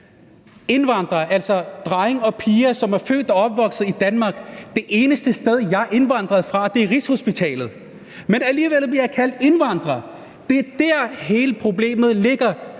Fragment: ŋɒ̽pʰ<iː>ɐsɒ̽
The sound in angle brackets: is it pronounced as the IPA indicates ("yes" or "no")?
yes